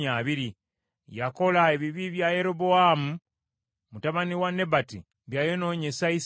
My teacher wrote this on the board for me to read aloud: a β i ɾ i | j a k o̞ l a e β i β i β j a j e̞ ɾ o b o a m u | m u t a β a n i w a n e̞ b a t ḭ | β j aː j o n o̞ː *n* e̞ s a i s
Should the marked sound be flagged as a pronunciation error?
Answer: yes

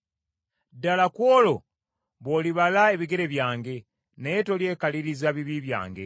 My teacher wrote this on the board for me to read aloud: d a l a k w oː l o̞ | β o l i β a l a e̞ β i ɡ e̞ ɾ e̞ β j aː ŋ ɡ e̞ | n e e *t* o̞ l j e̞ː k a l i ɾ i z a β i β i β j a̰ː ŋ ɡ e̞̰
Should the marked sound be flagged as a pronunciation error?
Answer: no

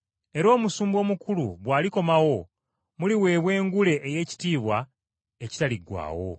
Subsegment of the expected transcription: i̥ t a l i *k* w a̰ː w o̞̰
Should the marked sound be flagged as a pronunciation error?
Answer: yes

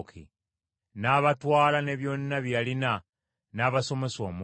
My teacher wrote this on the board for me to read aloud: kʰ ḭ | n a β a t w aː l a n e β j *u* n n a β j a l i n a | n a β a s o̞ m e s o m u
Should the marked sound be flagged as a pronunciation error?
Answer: yes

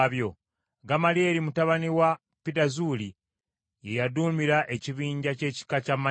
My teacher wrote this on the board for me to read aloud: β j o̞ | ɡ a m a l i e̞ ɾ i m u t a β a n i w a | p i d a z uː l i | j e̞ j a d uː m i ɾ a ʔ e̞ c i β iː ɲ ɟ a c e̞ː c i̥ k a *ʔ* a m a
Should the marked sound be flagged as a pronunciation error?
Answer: yes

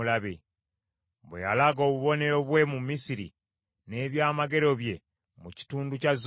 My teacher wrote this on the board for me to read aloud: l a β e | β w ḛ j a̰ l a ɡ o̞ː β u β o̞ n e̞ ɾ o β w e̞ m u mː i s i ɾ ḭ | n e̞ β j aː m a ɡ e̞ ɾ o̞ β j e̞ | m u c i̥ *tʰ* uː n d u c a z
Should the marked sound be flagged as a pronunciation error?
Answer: yes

